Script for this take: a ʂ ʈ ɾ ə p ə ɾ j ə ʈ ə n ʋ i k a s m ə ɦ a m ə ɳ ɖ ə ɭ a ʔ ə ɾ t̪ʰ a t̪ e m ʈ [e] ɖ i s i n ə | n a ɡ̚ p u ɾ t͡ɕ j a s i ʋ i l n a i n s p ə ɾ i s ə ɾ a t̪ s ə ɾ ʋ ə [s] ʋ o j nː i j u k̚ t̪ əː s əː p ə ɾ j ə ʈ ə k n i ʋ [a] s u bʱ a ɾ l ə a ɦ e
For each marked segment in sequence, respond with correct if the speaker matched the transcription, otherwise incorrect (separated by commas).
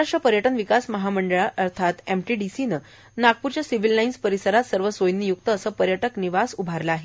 incorrect, correct, correct